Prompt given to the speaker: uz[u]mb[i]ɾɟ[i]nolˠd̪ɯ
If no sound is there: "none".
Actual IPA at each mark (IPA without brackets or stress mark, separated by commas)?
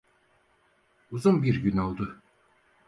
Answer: u, i, y